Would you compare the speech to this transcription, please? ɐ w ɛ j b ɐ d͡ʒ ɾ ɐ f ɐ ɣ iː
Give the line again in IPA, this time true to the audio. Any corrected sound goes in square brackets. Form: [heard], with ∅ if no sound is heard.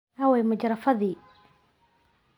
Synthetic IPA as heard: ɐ w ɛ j [m] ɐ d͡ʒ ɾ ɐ f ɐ [ð] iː